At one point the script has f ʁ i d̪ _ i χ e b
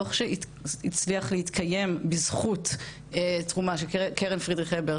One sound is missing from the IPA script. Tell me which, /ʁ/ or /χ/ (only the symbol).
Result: ʁ